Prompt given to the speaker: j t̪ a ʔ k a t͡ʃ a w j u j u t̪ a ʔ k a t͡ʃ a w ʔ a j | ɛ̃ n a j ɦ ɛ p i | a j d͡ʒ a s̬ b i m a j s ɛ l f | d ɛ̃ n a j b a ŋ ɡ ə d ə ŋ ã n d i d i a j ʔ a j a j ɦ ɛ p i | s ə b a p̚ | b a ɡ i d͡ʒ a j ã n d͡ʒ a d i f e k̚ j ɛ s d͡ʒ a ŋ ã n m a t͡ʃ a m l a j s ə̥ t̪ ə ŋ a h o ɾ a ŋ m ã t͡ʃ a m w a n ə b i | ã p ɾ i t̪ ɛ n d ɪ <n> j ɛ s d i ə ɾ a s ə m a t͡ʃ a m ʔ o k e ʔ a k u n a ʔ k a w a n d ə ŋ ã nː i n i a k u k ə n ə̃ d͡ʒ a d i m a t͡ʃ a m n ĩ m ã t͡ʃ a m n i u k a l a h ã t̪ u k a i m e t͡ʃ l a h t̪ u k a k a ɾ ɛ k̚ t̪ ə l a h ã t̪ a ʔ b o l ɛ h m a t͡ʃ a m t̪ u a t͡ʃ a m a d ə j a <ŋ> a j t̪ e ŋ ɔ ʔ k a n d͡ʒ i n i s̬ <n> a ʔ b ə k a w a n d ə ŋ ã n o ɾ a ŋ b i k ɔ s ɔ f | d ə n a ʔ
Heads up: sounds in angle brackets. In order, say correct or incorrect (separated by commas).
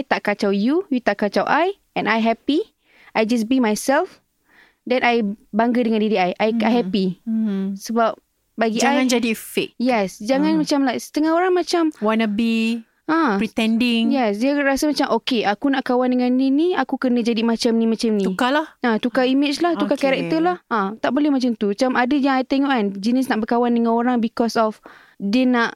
incorrect, correct, correct